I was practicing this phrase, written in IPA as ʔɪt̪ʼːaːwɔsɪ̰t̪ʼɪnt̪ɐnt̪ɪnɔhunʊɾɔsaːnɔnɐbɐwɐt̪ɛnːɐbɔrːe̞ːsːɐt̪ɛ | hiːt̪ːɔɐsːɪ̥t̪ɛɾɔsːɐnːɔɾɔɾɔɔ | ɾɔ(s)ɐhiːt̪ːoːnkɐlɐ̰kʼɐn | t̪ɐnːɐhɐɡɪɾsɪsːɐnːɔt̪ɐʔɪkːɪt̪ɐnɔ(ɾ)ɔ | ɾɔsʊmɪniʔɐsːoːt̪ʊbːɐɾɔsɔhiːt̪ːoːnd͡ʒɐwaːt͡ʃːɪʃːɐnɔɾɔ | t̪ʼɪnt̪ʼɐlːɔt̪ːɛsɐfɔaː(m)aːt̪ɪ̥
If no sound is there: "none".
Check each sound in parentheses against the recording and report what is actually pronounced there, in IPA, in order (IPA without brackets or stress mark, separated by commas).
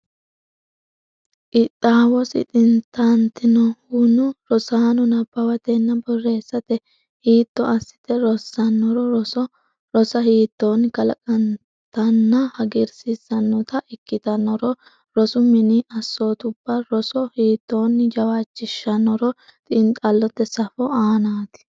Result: s, ɾ, n